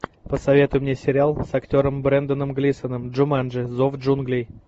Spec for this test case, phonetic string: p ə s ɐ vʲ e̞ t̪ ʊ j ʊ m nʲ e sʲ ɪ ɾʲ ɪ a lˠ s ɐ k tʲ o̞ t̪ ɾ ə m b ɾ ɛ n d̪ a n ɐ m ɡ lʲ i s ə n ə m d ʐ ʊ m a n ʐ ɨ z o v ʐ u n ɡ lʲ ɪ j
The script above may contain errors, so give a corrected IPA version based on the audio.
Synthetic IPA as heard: p ə s ɐ vʲ e̞ t̪ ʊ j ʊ m nʲ e sʲ ɪ ɾʲ ɪ a lˠ s ɐ k tʲ o̞ ɾ ə m b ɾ ɛ n d̪ ə n ə m ɡ lʲ i s ə n ə m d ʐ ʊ m a n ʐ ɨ z o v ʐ u n ɡ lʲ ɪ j

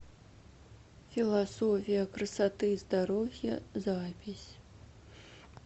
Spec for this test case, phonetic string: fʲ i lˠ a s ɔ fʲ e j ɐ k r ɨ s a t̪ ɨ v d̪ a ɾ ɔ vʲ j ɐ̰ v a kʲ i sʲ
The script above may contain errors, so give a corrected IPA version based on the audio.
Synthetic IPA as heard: fʲ i lˠ a s ɔ fʲ i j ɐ k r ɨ s a t̪ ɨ z d̪ a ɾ ɔ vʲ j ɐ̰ z a pʲ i sʲ

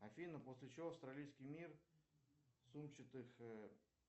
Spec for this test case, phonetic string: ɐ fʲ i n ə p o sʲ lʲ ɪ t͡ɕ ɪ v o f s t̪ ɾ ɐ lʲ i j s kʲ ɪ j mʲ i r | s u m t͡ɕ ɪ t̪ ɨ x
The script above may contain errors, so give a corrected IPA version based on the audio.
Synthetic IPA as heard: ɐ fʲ i n ə p o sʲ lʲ ɪ t͡ɕ ɪ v o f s t̪ ɾ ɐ lʲ i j s kʲ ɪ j mʲ i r | s u m t͡ɕ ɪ t̪ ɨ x

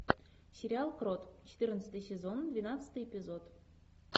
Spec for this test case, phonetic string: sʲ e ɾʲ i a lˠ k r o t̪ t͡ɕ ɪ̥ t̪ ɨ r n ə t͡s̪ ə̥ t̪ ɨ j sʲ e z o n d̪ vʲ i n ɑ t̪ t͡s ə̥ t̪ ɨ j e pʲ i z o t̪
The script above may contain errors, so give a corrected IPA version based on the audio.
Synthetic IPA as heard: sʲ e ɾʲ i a lˠ k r o t̪ t͡ɕ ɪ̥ t̪ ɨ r n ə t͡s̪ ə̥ t̪ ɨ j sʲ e z o n d̪ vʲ i n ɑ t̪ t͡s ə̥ t̪ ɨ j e pʲ i z o t̪

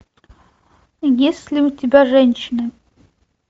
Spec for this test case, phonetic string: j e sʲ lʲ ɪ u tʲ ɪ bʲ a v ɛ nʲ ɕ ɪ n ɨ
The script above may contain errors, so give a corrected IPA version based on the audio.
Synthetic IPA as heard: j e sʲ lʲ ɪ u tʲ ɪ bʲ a ʐ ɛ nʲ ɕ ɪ n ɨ

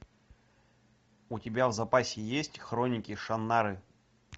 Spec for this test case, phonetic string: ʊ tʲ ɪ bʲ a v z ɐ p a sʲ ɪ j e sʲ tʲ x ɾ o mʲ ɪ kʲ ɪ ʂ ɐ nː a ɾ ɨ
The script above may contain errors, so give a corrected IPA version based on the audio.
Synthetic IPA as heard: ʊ tʲ ɪ bʲ a v z ɐ p a sʲ ɪ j e sʲ tʲ x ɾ o nʲ ɪ kʲ ɪ ʂ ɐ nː a ɾ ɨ

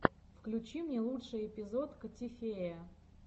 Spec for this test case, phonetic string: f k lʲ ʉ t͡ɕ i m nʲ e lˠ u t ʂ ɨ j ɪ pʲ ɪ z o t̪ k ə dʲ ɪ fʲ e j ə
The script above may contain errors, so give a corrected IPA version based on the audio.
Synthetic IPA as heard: f k lʲ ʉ t͡ɕ i m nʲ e lˠ u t ʂ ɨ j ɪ pʲ ɪ z o t̪ k ə tʲ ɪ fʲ e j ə

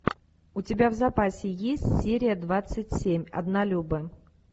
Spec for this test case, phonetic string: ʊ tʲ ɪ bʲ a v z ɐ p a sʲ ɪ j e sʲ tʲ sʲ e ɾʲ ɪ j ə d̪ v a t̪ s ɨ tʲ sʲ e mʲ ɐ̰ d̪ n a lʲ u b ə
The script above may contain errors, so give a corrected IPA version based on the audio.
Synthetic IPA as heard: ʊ tʲ ɪ bʲ a v z ɐ p a sʲ ɪ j e sʲ tʲ sʲ e ɾʲ ɪ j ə d̪ v a t̪ s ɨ tʲ sʲ e mʲ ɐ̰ d̪ n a lʲ u b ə

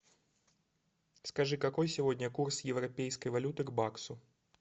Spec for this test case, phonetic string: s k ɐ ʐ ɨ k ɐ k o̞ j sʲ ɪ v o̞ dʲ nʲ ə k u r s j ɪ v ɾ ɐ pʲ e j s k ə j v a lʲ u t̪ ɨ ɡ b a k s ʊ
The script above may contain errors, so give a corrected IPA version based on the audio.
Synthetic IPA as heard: s k ɐ ʐ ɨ k ɐ k o̞ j sʲ ɪ v o̞ dʲ nʲ ə k u r s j ɪ v ɾ ɐ pʲ e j s k ə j v ɐ lʲ u t̪ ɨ ɡ b a k s ʊ

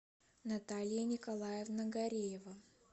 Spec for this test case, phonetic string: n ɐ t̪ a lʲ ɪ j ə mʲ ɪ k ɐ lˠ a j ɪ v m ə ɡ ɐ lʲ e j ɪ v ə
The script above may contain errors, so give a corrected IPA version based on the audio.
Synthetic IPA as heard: n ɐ t̪ a lʲ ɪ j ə nʲ ɪ k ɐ lˠ a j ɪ v n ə ɡ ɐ ɾʲ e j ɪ v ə

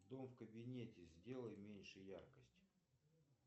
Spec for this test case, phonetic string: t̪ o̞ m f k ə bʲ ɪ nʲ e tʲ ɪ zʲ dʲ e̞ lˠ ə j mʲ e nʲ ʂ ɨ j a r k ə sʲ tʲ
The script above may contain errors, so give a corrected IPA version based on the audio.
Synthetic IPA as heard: d̪ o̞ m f k ə bʲ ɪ nʲ e tʲ ɪ zʲ dʲ e̞ lˠ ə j mʲ e nʲ ʂ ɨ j a r k ə sʲ tʲ

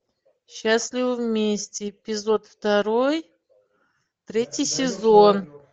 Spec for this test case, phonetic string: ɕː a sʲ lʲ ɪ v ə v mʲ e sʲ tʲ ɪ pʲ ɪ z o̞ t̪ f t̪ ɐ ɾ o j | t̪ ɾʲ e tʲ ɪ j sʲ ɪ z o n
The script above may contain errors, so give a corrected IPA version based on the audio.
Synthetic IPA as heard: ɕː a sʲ lʲ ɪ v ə v mʲ e sʲ tʲ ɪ pʲ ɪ z o̞ t̪ f t̪ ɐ ɾ o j | t̪ ɾʲ e tʲ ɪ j sʲ ɪ z o n

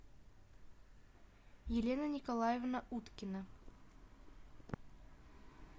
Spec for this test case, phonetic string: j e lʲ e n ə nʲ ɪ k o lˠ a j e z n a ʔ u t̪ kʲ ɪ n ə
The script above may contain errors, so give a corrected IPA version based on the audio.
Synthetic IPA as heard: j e lʲ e n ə nʲ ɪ k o lˠ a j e v n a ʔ u t̪ kʲ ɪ n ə

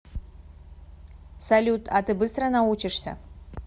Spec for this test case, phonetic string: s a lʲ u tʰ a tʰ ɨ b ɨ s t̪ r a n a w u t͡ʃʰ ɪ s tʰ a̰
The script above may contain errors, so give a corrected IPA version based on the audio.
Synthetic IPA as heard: s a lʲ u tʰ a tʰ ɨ b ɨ s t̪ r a n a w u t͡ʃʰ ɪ ʂ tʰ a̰

